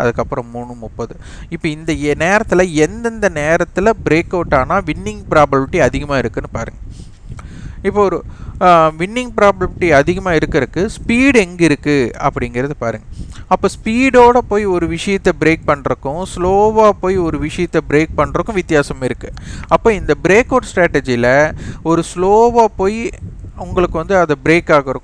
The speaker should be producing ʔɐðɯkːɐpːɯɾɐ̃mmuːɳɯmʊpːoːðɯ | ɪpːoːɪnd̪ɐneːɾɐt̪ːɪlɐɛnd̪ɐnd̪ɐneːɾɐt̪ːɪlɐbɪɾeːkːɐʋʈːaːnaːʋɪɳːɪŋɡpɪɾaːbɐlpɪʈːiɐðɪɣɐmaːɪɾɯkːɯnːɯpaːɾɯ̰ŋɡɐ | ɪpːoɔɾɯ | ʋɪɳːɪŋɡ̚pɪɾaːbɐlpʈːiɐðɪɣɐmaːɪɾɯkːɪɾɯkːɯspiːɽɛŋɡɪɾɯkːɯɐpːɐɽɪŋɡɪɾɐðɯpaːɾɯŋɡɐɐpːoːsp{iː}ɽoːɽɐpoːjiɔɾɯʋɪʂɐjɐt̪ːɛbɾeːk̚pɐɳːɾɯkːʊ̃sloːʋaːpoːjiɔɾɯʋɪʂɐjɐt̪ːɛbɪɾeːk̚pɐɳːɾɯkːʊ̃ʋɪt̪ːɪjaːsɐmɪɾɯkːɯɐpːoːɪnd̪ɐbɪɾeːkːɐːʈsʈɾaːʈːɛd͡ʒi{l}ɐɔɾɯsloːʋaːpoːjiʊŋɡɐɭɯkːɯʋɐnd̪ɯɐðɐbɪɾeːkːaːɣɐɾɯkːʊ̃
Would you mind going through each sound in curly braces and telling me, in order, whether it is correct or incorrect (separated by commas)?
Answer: correct, correct